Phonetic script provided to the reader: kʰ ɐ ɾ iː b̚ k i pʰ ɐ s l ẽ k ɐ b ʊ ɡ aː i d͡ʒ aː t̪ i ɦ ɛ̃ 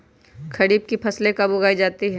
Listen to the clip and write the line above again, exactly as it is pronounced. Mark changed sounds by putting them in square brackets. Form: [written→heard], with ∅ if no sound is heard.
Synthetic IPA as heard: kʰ ɐ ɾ iː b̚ k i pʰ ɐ s l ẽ k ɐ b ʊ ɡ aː i d͡ʒ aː t̪ i ɦ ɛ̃